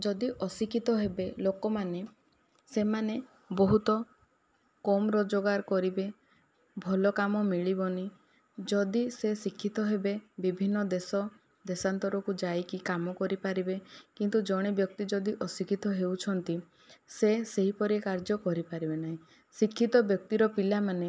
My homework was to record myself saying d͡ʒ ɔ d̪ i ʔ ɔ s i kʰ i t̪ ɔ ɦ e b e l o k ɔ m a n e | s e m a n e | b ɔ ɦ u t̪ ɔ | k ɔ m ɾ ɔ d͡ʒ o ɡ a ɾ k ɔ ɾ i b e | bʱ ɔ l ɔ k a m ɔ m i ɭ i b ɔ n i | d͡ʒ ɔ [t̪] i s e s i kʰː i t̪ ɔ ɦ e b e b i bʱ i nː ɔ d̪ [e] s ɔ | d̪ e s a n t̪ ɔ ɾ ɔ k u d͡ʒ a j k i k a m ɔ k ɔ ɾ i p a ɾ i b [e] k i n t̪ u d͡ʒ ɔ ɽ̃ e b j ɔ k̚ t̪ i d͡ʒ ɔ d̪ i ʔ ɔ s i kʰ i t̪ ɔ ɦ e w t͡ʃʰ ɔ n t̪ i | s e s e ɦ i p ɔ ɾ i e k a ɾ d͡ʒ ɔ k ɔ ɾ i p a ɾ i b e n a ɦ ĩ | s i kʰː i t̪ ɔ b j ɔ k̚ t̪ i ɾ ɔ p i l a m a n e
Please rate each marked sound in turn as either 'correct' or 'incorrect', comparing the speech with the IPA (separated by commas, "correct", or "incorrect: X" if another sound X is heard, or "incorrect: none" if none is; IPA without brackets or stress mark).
incorrect: d̪, correct, correct